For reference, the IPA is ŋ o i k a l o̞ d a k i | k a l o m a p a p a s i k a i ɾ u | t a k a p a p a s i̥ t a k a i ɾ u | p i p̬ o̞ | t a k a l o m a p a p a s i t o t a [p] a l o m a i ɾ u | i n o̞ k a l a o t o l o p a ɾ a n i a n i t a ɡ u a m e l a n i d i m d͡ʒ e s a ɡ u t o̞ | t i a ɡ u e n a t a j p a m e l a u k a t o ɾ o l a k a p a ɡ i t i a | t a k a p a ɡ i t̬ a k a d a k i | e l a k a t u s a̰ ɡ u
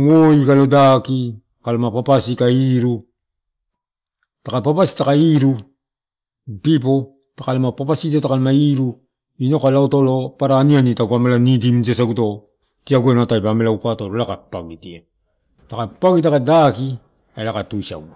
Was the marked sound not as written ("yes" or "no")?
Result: yes